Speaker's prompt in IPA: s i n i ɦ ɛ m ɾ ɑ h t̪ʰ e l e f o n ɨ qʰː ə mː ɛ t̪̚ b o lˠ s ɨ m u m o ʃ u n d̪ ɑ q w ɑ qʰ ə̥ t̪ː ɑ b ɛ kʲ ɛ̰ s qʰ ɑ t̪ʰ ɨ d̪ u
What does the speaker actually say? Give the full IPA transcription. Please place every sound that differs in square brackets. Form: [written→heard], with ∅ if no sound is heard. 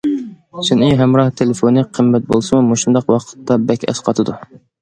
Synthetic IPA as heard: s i n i ɦ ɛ m ɾ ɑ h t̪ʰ e l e f o n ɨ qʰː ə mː ɛ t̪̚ b o lˠ s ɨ m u m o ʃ u n d̪ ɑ q w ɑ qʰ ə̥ t̪ː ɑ b ɛ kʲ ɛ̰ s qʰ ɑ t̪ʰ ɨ d̪ u

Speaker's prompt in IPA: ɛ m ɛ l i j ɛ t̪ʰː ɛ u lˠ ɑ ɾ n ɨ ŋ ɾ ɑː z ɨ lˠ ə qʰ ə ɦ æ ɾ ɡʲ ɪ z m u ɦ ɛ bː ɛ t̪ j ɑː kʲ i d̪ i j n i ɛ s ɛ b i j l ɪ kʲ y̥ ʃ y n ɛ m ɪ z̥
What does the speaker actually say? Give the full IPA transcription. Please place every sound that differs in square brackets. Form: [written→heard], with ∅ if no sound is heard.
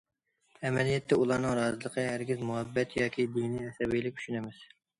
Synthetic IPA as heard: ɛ m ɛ l i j ɛ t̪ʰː ɛ u lˠ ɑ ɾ n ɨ ŋ ɾ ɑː z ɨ lˠ ə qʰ ə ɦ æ ɾ ɡʲ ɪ z m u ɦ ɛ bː ɛ t̪ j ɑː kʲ i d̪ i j n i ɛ s ɛ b i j l ɪ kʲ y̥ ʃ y n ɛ m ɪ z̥

